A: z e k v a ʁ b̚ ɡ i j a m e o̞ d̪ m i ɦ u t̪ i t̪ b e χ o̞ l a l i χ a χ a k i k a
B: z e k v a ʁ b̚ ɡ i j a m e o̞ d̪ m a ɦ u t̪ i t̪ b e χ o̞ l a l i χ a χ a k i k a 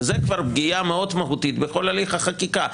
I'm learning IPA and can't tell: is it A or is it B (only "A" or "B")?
B